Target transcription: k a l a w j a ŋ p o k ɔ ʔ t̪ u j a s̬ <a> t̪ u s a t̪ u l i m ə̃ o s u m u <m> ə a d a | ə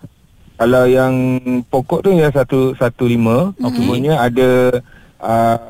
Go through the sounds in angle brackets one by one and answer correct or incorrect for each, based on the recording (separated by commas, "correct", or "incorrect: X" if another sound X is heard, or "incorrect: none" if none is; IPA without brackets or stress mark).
correct, incorrect: ɲ